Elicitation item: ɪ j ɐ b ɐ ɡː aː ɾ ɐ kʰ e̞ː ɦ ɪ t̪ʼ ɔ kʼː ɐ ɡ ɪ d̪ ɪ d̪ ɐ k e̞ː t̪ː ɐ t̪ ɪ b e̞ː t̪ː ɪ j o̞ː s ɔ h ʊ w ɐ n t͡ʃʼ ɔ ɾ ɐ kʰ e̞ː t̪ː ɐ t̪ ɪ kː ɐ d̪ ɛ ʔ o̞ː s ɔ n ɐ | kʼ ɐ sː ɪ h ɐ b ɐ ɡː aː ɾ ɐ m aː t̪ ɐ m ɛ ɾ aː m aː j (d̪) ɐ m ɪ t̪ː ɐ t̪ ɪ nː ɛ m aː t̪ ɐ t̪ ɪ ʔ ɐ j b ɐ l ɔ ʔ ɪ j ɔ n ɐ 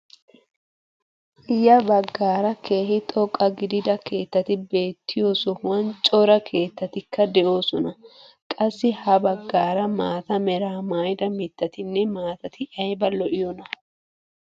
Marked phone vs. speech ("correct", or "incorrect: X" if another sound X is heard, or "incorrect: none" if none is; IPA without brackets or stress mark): correct